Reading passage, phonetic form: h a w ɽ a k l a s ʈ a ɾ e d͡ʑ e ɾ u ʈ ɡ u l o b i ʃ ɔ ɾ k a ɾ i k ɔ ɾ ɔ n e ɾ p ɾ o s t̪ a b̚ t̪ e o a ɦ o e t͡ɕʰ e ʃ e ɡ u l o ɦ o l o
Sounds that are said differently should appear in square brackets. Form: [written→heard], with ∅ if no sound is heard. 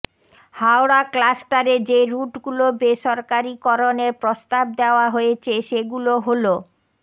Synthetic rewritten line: h a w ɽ a k l a s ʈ a ɾ e d͡ʑ e ɾ u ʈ ɡ u l o b [i→e] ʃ ɔ ɾ k a ɾ i k ɔ ɾ [ɔ→o] n e ɾ p ɾ o s t̪ a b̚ [t̪→d̪] e o a ɦ o e t͡ɕʰ e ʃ e ɡ u l o ɦ o l o